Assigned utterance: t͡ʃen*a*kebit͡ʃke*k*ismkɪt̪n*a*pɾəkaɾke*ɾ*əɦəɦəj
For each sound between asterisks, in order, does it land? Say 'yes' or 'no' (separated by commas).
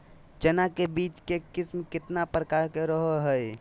yes, yes, yes, yes